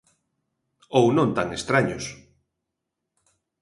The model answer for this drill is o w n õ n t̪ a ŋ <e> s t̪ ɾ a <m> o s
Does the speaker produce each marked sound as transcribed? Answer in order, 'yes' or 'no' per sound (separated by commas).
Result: yes, no